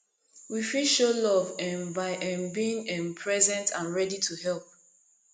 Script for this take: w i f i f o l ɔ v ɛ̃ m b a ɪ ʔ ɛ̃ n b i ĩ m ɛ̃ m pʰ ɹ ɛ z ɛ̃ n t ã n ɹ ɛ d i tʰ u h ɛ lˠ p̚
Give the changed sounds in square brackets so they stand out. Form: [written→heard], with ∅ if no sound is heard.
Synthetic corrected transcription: w i f i [f→ʃ] o l ɔ v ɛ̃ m b a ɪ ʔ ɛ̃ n b i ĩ [m→ŋ] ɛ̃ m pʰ ɹ ɛ z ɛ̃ n t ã n ɹ ɛ d i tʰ u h ɛ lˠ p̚